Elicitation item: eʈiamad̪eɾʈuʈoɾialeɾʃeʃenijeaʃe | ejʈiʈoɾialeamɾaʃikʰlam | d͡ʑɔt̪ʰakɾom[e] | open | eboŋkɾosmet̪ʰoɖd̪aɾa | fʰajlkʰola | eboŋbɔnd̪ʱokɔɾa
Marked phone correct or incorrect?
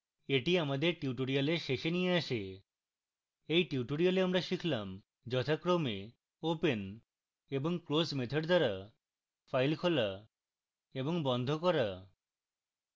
correct